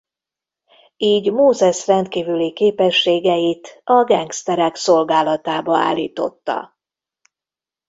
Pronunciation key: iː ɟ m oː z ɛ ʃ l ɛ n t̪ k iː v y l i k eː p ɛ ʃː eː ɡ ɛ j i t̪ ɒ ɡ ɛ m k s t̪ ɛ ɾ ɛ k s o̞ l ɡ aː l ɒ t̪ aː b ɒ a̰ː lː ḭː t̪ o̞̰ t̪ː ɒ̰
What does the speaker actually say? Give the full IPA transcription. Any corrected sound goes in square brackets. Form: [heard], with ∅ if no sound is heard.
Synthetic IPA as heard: iː ɟ m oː z ɛ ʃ [r] ɛ n t̪ k iː v y l i k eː p ɛ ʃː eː ɡ ɛ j i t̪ ɒ ɡ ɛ [ŋ] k s t̪ ɛ ɾ ɛ k s o̞ l ɡ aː l ɒ t̪ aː b ɒ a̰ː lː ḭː t̪ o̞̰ t̪ː ɒ̰